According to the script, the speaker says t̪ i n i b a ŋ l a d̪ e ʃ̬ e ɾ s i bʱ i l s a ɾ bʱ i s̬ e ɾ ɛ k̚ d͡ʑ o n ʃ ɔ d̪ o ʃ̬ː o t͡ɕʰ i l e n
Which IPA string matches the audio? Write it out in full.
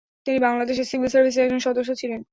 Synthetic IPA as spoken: t̪ i n i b a ŋ l a d̪ e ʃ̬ e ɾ s i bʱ i l s a ɾ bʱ i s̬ e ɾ ɛ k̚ d͡ʑ o n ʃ ɔ d̪ o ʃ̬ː o t͡ɕʰ i l e n